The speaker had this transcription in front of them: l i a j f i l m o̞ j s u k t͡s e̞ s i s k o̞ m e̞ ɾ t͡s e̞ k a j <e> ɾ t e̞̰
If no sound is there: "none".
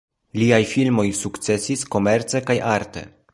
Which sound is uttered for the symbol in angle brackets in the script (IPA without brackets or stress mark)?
a